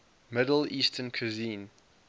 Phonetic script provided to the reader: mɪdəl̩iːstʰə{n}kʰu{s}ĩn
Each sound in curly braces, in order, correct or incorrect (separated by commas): correct, incorrect